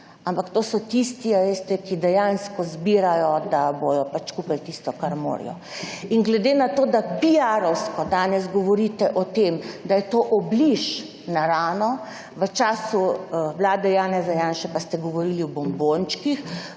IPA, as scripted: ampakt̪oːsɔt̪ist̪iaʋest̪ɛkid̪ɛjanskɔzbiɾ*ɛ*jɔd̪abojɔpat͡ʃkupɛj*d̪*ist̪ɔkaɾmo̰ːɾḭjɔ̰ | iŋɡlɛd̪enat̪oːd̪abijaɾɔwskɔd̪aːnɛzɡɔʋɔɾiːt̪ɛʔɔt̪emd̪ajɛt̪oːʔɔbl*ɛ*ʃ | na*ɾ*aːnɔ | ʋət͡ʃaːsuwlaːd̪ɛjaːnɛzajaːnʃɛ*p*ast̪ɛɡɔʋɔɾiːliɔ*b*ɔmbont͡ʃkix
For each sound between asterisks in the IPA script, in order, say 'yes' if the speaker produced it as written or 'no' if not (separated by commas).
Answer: no, no, no, yes, yes, yes